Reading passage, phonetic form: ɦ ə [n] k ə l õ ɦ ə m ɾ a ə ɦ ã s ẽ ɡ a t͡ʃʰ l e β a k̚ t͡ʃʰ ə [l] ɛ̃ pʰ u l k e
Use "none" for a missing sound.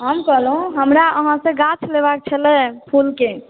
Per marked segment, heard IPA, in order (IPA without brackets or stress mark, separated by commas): m, l